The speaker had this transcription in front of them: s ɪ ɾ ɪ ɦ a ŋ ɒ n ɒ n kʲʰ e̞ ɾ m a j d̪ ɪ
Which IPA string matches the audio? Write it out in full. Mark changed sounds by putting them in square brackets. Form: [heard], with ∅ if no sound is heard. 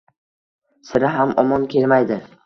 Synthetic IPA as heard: s ɪ ɾ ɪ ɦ a [m] ɒ [m] ɒ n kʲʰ e̞ [l] m a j d̪ ɪ